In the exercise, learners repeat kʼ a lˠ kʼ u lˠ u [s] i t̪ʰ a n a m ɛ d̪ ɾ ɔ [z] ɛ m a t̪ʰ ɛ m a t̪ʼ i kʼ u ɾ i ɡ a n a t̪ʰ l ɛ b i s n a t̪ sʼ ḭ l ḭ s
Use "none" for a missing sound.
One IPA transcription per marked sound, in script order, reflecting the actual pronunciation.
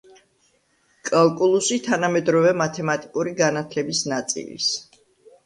s, v

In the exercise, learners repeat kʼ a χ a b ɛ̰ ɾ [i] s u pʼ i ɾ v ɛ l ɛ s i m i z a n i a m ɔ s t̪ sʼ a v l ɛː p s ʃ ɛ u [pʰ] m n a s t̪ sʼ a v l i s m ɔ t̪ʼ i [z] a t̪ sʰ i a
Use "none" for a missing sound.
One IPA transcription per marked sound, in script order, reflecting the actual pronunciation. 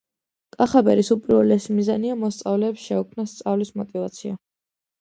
i, kʰ, v

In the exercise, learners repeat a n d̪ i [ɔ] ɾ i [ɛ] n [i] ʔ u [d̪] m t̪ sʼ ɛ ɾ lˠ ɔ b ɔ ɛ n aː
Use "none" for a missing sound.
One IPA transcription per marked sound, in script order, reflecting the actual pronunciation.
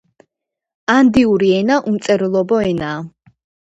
u, ɛ, a, none

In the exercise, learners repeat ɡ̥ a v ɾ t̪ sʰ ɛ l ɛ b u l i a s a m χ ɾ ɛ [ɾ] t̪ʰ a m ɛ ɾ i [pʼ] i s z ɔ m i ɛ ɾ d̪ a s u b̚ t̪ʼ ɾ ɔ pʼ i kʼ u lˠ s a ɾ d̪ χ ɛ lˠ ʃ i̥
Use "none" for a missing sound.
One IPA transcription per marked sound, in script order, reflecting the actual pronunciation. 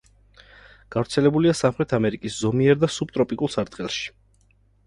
none, kʼ

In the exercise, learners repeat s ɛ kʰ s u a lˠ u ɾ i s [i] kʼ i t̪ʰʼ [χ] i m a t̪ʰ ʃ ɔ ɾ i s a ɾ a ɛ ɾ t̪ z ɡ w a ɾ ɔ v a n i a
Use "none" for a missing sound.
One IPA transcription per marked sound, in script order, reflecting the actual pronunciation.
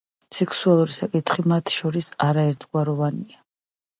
a, χ

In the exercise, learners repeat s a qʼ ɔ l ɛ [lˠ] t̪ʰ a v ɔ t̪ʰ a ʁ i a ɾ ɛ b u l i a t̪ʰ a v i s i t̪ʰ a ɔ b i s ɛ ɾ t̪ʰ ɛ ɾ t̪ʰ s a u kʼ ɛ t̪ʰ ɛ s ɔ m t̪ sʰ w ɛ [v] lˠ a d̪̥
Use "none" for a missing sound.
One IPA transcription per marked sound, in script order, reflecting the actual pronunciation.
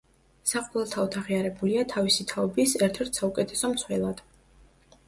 lˠ, none

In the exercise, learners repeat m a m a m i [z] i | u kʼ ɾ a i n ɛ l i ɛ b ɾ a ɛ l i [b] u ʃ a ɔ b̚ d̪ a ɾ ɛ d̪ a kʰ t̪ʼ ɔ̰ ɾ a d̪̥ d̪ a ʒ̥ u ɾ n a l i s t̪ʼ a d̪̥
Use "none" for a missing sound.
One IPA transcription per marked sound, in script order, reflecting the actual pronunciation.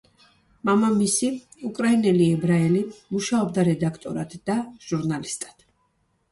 s, m

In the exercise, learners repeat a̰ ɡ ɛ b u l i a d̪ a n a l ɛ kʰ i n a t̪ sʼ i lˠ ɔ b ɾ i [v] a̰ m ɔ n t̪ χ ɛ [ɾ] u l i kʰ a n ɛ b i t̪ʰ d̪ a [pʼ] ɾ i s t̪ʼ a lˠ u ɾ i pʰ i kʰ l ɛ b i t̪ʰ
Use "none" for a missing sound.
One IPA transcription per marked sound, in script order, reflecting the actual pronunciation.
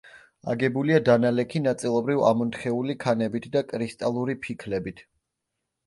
v, none, kʼ

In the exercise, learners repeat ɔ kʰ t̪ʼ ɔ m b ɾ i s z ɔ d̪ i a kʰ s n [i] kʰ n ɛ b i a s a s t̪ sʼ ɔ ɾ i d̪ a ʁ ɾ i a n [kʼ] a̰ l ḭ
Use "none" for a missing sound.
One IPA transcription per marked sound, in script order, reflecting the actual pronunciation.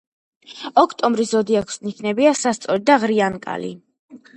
i, kʼ

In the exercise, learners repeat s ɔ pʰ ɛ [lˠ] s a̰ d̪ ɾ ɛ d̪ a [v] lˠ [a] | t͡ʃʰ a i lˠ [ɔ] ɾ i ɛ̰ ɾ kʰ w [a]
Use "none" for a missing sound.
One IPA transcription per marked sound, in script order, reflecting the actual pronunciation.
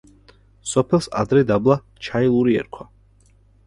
lˠ, b, a, u, a

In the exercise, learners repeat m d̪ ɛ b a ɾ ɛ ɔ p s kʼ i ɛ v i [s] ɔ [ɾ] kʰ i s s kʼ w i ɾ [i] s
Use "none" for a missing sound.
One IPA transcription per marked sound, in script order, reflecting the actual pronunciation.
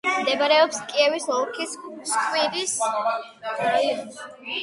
s, ɾ, i

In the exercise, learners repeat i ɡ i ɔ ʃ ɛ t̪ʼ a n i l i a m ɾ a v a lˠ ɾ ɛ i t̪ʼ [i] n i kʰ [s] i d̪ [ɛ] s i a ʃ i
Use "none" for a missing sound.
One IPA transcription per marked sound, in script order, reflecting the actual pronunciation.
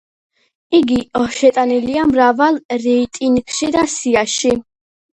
i, ʃ, a

